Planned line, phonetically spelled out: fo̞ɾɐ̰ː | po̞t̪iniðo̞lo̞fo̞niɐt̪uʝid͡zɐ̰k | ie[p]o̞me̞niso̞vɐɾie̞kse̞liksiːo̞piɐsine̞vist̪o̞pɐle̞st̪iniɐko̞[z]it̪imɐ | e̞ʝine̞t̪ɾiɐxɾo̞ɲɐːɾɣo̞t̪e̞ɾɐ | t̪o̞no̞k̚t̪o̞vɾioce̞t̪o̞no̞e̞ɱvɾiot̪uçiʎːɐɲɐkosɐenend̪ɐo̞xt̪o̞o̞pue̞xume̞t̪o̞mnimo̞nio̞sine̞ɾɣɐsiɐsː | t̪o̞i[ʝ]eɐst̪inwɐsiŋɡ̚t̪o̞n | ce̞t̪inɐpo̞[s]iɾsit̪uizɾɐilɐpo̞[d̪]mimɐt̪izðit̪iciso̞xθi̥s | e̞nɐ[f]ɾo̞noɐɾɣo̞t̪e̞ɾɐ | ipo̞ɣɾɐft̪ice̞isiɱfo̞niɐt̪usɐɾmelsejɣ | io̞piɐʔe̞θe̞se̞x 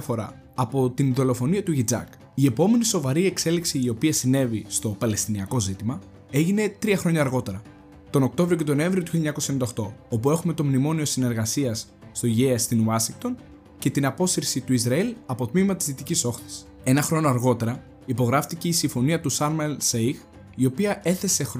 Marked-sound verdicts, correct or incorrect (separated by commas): correct, correct, correct, correct, incorrect, incorrect